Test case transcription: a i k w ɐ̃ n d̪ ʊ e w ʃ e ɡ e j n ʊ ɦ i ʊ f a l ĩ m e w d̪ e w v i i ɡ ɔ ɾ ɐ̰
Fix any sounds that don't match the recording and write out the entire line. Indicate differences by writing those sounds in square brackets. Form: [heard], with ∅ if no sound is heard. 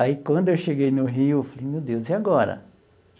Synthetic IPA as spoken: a i k w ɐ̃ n d̪ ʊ e w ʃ e ɡ e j n ʊ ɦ i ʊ f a l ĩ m e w d̪ e w [z] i [a] ɡ ɔ ɾ ɐ̰